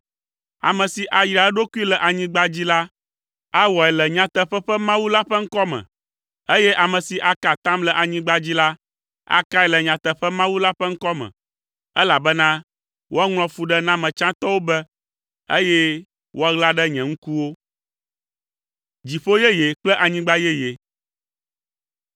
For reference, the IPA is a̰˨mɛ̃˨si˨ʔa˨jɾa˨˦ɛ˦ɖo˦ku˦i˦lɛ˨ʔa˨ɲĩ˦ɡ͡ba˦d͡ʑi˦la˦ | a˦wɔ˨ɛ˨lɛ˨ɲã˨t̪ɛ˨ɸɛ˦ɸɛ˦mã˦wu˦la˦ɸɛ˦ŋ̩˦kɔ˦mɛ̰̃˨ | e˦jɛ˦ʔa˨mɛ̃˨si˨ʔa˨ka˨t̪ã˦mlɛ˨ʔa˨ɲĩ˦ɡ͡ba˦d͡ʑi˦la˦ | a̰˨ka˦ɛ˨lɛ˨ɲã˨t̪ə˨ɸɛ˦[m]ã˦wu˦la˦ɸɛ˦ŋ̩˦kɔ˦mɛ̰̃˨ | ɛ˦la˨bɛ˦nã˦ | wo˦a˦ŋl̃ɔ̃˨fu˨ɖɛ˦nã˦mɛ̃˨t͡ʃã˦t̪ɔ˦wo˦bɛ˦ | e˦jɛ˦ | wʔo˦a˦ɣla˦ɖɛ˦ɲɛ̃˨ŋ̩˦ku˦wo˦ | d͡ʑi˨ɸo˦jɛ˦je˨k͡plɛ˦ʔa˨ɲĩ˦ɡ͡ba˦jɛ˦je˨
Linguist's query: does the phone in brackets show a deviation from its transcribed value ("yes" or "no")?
no